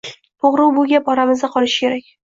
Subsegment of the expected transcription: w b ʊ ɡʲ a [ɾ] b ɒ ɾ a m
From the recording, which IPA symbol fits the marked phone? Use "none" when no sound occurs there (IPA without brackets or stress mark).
none